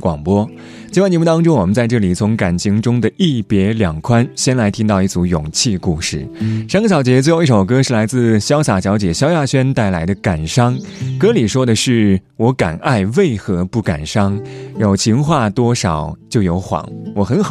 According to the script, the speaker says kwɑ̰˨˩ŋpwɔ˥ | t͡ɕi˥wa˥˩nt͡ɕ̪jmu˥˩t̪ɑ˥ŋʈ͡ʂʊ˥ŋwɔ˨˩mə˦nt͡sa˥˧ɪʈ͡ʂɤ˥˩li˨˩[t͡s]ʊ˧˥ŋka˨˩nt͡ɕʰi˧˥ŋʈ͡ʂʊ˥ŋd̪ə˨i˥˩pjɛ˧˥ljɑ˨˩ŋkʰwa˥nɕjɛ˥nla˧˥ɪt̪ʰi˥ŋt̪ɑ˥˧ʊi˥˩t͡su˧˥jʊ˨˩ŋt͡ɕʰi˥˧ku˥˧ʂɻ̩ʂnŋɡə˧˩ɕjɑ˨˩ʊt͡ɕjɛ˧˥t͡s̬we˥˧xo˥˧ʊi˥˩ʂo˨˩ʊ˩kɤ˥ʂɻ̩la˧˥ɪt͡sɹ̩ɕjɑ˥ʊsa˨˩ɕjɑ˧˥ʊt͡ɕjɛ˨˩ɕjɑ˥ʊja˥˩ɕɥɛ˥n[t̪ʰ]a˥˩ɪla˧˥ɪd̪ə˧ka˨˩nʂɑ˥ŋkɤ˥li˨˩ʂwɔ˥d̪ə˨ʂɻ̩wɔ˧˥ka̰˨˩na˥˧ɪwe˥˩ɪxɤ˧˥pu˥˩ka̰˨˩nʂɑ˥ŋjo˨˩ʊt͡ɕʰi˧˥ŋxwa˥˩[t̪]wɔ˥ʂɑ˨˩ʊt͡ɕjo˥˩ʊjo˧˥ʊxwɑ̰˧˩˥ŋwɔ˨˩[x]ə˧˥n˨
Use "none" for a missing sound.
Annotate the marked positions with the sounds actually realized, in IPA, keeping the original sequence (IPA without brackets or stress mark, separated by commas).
t͡sʰ, t̪, t̪, x